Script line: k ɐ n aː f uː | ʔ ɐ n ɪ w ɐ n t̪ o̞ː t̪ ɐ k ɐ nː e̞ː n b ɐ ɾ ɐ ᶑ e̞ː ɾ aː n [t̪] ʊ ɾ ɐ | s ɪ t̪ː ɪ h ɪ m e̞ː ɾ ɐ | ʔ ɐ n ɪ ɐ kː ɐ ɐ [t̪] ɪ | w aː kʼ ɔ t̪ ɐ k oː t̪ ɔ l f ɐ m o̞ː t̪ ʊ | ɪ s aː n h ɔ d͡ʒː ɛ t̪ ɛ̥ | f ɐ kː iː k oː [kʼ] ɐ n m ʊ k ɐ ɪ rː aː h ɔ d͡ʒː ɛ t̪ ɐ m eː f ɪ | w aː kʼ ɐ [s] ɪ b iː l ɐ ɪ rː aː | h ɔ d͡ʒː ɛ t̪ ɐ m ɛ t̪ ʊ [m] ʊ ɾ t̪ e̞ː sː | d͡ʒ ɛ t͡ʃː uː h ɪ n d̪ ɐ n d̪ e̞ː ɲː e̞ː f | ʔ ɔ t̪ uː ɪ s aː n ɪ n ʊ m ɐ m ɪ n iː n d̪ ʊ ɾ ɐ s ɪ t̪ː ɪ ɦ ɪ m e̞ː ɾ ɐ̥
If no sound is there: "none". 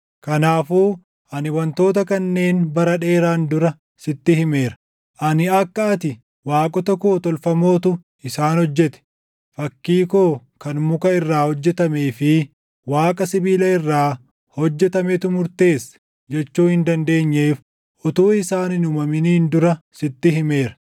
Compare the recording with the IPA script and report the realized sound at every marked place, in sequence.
d̪, t̪, k, s, m

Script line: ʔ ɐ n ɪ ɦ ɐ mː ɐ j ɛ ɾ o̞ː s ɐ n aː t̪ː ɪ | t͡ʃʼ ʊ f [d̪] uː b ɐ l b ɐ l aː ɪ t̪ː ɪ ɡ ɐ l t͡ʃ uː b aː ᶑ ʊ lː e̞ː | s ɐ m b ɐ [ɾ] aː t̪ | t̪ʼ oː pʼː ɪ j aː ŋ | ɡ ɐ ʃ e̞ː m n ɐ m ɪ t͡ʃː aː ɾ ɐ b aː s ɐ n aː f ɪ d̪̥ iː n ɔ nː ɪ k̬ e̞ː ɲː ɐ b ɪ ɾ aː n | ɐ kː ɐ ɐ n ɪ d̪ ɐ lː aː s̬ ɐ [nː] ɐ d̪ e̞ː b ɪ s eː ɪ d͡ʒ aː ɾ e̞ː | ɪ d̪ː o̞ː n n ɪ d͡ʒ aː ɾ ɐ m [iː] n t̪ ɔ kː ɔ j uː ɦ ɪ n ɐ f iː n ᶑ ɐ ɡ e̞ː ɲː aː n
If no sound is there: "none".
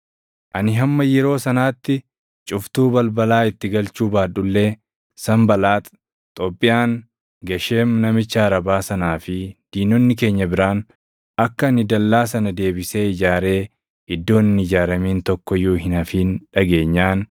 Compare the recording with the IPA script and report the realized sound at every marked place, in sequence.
t̪, l, n, iː

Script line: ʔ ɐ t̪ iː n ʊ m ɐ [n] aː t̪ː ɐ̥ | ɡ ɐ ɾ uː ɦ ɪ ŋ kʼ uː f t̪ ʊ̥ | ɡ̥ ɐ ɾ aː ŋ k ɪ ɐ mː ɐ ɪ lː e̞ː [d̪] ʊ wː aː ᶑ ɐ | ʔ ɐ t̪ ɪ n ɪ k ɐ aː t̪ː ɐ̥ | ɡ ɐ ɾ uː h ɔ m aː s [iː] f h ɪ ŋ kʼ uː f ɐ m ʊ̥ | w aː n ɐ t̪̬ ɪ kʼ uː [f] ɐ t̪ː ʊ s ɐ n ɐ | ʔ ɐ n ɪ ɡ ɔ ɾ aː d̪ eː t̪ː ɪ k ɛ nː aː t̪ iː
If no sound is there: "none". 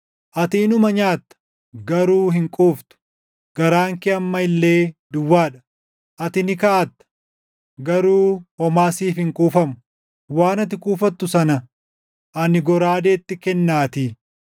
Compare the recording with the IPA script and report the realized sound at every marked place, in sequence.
ɲ, d̪, iː, f

